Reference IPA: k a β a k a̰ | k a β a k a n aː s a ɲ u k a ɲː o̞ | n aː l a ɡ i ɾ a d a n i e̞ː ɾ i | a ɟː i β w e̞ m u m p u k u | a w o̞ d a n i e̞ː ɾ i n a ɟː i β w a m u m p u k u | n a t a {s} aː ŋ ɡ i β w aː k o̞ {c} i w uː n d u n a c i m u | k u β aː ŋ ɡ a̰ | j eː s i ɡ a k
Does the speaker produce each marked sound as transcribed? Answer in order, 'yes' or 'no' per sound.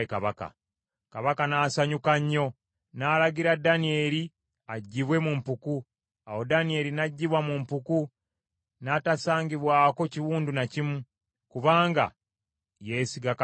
yes, yes

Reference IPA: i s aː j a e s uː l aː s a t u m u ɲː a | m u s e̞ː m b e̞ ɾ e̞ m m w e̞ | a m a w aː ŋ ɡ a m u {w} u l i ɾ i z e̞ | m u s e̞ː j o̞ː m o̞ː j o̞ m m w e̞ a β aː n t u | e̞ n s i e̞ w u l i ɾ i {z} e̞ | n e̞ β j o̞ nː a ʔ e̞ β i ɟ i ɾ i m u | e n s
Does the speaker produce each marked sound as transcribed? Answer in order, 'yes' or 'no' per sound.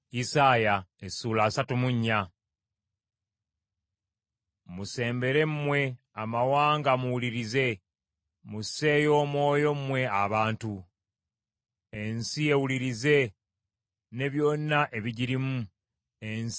yes, yes

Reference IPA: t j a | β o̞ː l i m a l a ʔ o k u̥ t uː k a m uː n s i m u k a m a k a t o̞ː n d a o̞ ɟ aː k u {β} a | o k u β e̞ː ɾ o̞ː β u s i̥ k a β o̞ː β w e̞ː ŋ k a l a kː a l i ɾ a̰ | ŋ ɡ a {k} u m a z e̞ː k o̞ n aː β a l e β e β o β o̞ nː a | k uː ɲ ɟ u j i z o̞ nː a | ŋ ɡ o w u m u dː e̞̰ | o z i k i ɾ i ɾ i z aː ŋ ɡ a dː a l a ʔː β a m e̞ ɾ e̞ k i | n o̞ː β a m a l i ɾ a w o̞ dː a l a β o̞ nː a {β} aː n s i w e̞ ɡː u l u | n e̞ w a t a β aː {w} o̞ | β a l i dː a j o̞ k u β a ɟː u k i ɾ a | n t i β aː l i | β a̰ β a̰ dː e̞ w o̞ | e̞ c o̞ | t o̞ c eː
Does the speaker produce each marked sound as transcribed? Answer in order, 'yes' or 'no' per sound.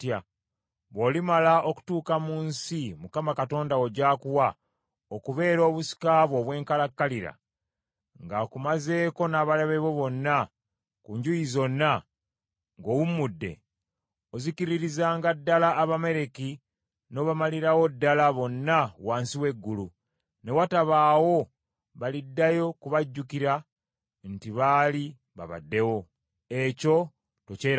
no, yes, no, yes

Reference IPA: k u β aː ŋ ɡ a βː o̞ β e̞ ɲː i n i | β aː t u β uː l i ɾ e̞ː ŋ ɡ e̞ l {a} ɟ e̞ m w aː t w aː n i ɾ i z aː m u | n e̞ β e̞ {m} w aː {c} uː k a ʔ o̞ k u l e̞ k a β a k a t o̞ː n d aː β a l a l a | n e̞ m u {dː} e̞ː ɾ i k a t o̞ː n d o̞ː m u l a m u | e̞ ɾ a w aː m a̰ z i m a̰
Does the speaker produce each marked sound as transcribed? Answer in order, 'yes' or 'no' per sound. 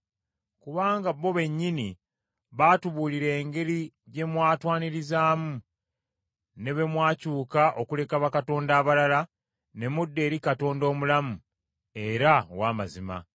no, yes, yes, yes

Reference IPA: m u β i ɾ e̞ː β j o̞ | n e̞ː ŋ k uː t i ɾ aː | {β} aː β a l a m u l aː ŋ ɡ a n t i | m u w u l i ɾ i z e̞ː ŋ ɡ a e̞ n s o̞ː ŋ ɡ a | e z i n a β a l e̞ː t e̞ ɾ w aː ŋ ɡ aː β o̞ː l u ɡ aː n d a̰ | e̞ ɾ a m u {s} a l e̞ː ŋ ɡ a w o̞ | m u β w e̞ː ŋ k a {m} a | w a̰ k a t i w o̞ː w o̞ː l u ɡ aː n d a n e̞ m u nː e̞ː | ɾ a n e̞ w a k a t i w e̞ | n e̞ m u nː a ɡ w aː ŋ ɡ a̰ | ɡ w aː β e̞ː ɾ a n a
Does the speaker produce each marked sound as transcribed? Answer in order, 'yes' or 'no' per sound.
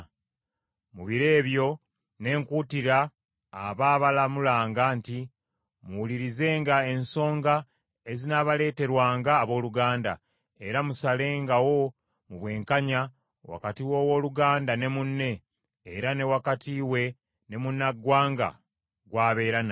yes, yes, no

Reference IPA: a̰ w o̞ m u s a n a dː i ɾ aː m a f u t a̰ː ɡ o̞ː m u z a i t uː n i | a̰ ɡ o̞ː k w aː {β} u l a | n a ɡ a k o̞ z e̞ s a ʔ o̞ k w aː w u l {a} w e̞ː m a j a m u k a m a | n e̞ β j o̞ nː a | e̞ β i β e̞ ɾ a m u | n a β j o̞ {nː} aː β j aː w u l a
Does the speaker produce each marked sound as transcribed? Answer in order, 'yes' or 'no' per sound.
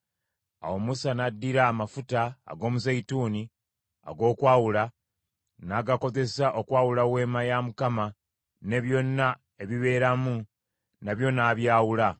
no, yes, no

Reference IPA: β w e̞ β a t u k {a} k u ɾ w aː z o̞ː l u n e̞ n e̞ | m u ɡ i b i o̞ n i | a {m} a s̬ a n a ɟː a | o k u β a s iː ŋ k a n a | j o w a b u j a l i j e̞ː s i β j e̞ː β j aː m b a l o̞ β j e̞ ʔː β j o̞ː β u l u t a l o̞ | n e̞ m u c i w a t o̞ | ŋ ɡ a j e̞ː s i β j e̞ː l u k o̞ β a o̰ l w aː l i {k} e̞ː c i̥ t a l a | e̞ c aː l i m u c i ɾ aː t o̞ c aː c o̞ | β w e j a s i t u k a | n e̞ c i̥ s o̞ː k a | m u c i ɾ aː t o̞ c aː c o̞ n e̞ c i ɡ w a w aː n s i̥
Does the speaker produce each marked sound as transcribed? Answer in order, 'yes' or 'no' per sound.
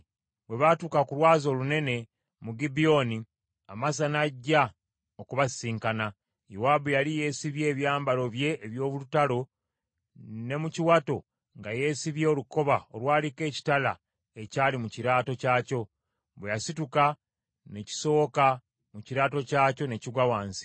yes, yes, yes

